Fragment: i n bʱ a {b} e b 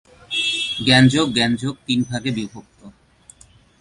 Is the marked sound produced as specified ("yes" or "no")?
no